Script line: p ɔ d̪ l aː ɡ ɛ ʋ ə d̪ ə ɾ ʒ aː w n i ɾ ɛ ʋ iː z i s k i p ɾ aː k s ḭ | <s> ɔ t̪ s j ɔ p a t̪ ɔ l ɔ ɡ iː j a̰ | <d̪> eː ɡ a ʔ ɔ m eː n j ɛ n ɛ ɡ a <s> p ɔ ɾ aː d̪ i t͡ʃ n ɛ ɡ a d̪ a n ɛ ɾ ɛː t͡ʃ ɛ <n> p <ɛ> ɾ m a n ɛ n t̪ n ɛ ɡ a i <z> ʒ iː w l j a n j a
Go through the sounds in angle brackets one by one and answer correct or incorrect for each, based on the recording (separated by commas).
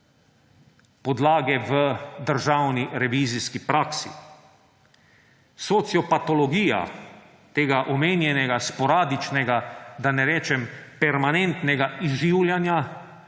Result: correct, incorrect, correct, incorrect, correct, correct